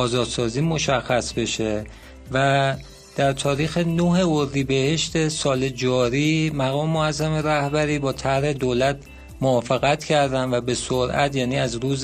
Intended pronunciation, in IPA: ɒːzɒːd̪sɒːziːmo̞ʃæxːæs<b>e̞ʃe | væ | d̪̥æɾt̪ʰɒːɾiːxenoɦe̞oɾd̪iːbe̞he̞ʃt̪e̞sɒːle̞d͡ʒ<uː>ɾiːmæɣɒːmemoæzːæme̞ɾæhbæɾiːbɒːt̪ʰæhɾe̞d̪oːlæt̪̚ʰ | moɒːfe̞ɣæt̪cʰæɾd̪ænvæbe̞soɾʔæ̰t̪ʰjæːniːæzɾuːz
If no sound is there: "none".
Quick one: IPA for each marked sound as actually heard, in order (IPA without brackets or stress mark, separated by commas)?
b, ɒː